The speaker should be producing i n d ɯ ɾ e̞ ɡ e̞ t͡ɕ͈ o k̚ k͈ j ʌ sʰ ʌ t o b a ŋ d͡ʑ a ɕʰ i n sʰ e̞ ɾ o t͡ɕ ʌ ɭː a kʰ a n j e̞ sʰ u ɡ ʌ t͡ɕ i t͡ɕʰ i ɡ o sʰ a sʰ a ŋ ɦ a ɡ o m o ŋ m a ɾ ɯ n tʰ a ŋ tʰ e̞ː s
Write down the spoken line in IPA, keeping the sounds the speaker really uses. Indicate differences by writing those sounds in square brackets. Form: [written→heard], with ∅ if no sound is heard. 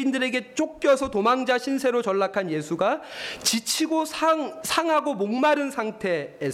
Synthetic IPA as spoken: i n d ɯ ɾ e̞ ɡ e̞ t͡ɕ͈ o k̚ k͈ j ʌ sʰ ʌ t o [b→m] a ŋ d͡ʑ a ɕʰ i n sʰ e̞ ɾ o t͡ɕ ʌ ɭː a kʰ a n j e̞ sʰ u ɡ [ʌ→a] t͡ɕ i t͡ɕʰ i ɡ o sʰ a sʰ a ŋ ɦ a ɡ o m o ŋ m a ɾ ɯ n [tʰ→sʰ] a ŋ tʰ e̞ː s